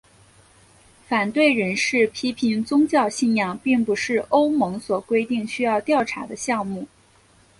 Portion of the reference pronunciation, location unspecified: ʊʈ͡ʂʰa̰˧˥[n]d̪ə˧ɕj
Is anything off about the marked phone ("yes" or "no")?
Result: yes